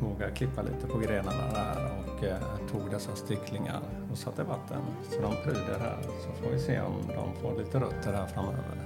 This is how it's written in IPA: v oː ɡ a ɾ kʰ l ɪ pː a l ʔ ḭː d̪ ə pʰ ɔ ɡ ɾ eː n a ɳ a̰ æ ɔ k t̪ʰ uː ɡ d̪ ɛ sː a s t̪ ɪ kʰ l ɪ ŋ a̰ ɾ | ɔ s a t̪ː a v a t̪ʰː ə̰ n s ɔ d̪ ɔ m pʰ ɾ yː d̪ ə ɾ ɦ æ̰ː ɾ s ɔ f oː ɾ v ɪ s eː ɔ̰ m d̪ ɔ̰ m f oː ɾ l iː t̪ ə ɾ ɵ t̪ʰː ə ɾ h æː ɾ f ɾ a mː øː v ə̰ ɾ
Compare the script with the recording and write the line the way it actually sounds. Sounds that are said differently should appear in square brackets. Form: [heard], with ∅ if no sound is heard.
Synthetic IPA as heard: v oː ɡ a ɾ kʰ l ɪ pː a l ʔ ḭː [t̪] ə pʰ ɔ ɡ ɾ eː n a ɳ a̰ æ ɔ k t̪ʰ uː ɡ d̪ ɛ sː a s t̪ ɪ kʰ l ɪ ŋ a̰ ɾ | ɔ s a t̪ː [ə] v a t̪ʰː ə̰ n s ɔ d̪ ɔ m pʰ ɾ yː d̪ ə ɾ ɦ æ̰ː ɾ s ɔ f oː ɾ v ɪ s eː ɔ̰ m d̪ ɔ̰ m f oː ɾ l iː t̪ ə ɾ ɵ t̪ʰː ə ɾ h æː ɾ f ɾ a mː øː v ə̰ ɾ